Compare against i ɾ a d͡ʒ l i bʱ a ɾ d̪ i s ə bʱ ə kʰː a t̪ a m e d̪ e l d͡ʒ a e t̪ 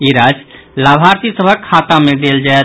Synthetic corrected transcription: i ɾ a d͡ʒ l a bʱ a ɾ t̪ i s ə bʱ ə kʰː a t̪ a m e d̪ e l d͡ʒ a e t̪